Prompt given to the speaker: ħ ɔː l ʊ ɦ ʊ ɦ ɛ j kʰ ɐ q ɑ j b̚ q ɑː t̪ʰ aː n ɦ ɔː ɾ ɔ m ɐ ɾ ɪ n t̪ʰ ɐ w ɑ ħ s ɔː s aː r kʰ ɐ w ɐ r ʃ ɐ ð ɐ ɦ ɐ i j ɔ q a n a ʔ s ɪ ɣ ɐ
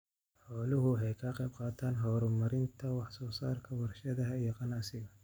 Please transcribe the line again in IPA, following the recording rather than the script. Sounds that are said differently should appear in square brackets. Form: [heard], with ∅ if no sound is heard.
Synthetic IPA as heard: ħ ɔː l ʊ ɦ ʊ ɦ ɛ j kʰ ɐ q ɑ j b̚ q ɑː t̪ʰ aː n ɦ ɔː ɾ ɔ m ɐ ɾ ɪ n t̪ʰ ɐ w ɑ ħ s ɔː s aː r kʰ ɐ w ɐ r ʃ ɐ ð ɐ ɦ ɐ i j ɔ q [ɑ] n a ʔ s ɪ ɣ ɐ